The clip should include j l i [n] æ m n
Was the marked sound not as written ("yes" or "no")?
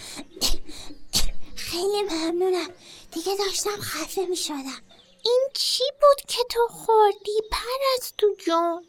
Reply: yes